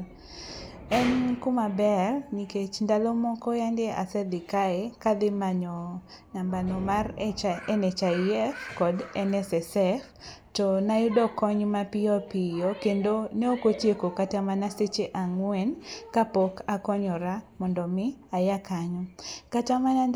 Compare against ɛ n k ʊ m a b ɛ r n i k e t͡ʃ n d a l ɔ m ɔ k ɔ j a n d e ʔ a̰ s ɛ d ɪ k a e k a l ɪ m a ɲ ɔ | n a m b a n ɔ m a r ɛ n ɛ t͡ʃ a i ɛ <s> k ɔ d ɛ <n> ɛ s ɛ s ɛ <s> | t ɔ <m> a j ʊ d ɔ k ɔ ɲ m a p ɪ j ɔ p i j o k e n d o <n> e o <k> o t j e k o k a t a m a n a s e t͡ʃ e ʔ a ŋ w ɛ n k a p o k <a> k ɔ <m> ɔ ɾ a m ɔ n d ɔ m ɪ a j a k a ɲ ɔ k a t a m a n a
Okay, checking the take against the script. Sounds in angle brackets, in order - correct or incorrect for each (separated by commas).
incorrect, correct, incorrect, incorrect, correct, correct, correct, incorrect